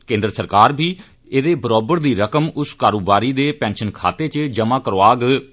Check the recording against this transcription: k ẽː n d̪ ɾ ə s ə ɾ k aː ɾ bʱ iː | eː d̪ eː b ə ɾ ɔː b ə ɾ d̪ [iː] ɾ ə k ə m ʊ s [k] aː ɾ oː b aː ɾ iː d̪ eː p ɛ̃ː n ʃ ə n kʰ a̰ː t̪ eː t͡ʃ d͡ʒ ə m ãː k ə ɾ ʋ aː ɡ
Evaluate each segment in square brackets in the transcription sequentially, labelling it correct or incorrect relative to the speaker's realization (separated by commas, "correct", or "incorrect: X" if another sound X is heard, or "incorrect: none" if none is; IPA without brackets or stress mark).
correct, correct